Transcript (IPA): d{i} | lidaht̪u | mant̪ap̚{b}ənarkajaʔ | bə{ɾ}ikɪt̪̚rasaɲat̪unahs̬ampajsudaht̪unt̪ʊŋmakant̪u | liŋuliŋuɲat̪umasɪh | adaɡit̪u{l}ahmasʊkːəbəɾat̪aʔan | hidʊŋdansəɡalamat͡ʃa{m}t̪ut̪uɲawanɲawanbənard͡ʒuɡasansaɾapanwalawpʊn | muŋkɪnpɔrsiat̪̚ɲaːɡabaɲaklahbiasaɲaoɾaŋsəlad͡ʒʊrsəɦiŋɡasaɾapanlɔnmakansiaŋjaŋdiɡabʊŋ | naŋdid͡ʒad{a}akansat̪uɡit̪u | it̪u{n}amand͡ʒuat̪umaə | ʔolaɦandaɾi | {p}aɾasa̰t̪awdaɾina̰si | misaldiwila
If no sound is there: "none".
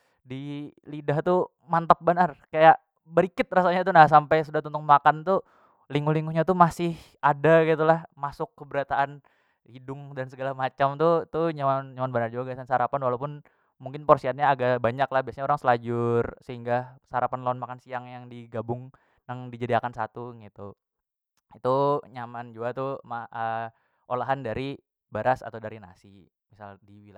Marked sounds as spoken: i, b, ɾ, l, m, i, ɲ, b

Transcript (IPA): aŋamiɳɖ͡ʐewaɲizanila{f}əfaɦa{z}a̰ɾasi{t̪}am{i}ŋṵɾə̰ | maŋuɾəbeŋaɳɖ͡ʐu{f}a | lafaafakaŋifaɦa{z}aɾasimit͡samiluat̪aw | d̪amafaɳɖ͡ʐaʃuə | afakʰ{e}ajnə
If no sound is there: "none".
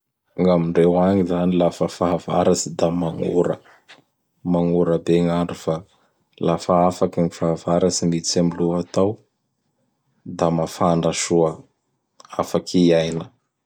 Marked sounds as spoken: f, v, d̪, a, f, v, i

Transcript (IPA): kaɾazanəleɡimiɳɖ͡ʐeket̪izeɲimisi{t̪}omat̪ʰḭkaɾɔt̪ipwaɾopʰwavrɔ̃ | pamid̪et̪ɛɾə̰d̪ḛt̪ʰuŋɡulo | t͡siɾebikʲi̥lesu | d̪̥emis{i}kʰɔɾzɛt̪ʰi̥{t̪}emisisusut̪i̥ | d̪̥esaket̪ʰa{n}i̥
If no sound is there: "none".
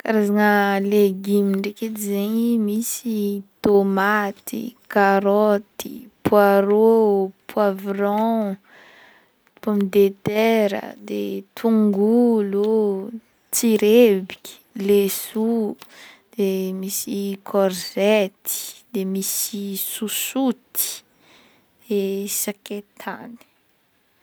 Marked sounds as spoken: t̪, i, d̪, n

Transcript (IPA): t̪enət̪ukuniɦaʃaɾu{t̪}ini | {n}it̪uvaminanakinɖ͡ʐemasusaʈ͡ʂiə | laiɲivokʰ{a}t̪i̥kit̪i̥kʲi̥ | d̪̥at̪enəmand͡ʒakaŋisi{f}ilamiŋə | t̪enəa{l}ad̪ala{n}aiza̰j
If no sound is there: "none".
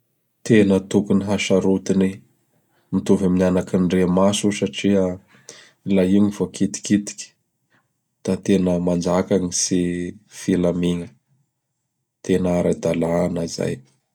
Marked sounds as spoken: t̪, m, i, f, ɾ, n

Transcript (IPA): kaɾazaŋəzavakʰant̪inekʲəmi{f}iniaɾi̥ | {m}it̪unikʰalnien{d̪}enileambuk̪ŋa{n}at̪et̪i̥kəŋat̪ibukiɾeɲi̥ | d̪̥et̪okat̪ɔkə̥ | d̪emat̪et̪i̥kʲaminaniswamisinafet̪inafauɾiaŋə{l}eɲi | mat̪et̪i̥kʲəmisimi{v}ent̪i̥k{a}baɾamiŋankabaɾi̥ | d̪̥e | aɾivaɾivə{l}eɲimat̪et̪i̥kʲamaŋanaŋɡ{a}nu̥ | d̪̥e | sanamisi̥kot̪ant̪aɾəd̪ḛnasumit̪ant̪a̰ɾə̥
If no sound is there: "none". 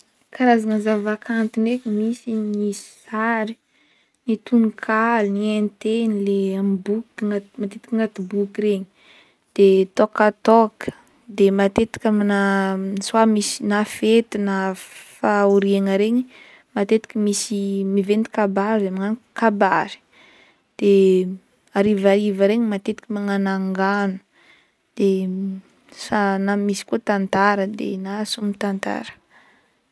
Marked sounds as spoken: s, n, t̪, m, ɾ, v, a, ɾ, a

